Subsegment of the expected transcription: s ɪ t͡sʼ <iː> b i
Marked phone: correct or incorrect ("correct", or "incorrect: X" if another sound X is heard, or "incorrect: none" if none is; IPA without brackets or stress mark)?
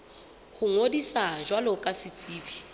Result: correct